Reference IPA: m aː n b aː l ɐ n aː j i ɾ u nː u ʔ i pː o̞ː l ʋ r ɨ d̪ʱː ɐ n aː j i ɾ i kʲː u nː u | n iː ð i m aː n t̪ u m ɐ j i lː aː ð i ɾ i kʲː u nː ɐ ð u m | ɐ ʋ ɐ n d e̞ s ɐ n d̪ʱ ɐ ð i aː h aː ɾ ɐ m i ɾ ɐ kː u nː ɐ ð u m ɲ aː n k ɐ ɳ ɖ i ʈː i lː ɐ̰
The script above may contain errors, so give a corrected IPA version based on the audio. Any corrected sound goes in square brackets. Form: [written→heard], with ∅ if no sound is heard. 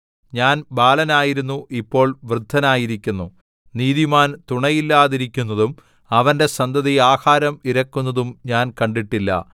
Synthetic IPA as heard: [m→ɲ] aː n b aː l ɐ n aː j i ɾ u nː u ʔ i pː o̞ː [l→ɭ] ʋ r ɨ d̪ʱː ɐ n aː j i ɾ i kʲː u nː u | n iː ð i m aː n t̪ u [m→ɳ] ɐ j i lː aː ð i ɾ i kʲː u nː ɐ ð u m | ɐ ʋ ɐ n d e̞ s ɐ n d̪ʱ ɐ ð i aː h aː ɾ ɐ m i ɾ ɐ kː u nː ɐ ð u m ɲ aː n k ɐ ɳ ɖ i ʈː i lː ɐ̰